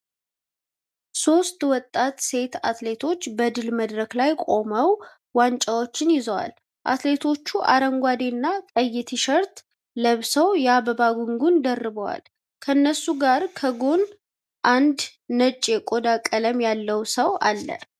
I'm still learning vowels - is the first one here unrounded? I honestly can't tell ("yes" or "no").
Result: no